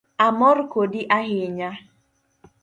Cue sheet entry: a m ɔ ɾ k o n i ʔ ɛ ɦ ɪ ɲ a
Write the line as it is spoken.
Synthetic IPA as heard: a m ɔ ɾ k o d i ʔ a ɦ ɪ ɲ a